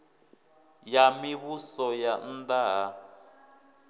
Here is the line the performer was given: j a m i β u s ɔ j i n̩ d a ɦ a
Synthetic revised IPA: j a m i β u s ɔ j a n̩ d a ɦ a